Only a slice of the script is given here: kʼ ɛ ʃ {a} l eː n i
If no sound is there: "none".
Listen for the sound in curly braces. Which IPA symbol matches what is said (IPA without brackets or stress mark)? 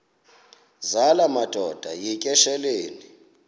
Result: ɛ